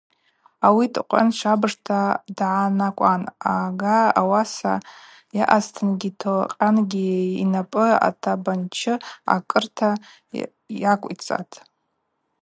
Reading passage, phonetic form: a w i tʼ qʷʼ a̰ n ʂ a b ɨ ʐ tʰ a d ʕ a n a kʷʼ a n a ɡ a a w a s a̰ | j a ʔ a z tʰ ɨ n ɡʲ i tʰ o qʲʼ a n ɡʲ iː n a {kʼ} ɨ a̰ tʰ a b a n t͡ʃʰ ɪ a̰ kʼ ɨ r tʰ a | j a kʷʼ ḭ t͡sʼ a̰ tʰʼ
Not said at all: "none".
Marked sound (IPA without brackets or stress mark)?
pʼ